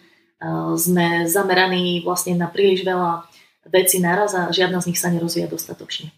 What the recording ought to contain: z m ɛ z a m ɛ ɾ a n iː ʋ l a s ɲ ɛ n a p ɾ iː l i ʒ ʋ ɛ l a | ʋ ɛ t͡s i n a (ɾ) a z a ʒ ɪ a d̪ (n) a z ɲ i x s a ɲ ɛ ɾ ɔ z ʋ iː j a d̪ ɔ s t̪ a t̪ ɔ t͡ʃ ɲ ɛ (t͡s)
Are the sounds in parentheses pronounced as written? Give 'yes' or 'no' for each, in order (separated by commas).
yes, yes, no